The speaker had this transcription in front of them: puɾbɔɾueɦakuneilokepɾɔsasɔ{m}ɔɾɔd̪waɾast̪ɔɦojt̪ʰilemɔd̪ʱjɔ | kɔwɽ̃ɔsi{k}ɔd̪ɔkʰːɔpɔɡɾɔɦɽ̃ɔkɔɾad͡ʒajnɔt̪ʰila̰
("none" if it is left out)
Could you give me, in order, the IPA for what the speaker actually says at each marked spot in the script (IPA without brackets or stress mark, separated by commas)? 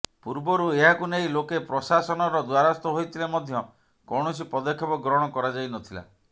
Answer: n, p